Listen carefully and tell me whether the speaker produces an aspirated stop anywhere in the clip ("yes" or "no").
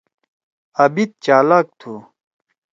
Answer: yes